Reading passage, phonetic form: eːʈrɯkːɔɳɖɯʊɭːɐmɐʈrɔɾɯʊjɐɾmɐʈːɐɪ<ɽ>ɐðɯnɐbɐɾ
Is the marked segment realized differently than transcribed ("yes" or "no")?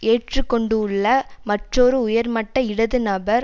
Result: no